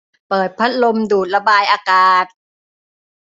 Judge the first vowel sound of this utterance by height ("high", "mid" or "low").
mid